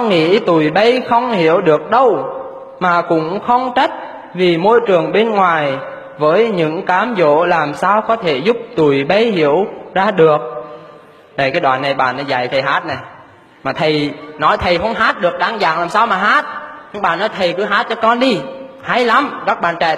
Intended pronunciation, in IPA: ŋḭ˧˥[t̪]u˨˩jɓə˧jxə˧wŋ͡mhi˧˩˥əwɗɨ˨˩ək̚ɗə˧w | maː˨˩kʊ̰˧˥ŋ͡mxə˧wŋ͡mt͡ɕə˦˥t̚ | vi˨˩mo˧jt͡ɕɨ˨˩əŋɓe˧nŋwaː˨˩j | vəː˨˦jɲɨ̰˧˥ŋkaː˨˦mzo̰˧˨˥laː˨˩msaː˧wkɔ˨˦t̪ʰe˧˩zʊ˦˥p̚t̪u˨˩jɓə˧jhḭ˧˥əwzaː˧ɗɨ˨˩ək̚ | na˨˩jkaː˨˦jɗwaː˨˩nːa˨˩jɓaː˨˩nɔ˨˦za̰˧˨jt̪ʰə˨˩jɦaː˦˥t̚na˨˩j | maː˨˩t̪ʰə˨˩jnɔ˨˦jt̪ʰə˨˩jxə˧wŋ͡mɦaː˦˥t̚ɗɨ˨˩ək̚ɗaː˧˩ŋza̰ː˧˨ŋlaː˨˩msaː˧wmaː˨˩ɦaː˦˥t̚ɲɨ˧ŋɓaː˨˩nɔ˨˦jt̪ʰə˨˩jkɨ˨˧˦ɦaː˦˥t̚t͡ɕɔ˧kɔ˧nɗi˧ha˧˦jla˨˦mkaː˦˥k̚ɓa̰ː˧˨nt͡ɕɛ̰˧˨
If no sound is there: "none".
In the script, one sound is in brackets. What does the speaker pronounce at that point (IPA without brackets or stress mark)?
t̪